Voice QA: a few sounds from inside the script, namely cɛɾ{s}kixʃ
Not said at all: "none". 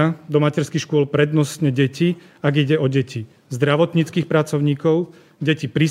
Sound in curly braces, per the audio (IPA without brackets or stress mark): s